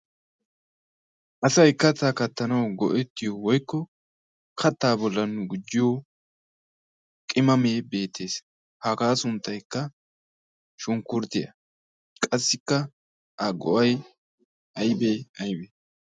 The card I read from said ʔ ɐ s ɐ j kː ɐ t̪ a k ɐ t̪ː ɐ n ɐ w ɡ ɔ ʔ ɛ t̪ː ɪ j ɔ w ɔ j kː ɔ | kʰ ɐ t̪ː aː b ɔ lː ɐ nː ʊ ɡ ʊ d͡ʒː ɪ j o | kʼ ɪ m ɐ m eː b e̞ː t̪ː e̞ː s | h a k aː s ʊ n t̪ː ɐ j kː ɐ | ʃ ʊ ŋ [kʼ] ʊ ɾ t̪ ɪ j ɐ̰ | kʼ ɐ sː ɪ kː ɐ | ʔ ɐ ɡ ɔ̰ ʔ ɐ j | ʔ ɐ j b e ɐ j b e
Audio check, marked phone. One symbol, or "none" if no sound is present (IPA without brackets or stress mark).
k